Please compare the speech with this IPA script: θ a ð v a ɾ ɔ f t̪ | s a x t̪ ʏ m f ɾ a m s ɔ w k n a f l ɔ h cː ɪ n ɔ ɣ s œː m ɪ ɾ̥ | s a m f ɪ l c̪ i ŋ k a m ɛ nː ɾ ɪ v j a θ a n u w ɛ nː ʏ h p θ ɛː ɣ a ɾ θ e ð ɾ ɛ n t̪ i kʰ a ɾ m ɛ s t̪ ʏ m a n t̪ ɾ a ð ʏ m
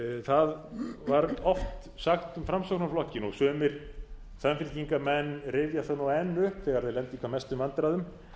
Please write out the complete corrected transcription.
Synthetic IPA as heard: θ a ð v a ɾ ɔ f t̪ | s a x t̪ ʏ m f ɾ a m s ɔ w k n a f l ɔ h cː ɪ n ɔ ɣ s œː m ɪ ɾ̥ | s a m f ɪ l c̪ i ŋ k a m ɛ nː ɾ ɪ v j a θ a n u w ɛ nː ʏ h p θ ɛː ɣ a ɾ θ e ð l ɛ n t̪ i kʰ a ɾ m ɛ s t̪ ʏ m a n t̪ ɾ a ð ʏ m